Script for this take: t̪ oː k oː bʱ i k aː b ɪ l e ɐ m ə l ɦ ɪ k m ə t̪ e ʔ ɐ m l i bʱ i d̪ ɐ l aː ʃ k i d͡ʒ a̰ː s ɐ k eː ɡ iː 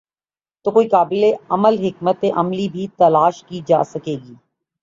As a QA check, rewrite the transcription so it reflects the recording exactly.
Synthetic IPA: t̪ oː k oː i k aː b ɪ l e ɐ m ə l ɦ ɪ k m ə t̪ e ʔ ɐ m l i bʱ i t̪ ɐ l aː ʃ k i d͡ʒ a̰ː s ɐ k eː ɡ iː